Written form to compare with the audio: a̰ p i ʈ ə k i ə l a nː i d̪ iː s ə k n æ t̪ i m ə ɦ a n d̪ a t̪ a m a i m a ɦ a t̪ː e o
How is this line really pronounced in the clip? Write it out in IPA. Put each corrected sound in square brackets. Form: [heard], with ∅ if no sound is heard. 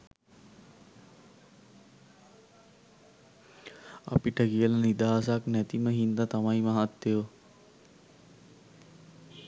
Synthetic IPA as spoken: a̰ p i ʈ ə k i ə l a [n] i d̪ [aː] s [a] k n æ t̪ i m ə ɦ [i] n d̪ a t̪ a m a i m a ɦ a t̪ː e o